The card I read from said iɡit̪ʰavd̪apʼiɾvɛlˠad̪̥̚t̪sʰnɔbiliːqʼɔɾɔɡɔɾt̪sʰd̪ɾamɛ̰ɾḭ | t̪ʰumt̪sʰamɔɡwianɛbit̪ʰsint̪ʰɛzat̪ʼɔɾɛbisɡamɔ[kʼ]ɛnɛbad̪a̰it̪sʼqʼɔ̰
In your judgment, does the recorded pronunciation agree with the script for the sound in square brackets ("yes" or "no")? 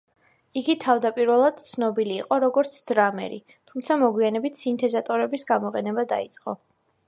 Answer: no